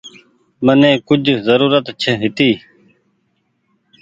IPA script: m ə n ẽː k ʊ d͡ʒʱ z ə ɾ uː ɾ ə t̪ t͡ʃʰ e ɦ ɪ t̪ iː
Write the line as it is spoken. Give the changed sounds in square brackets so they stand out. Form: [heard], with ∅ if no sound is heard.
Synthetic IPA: m ə n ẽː k ʊ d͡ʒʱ z ə ɾ uː ɾ ə t̪ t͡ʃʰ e ɦ ɪ t̪ iː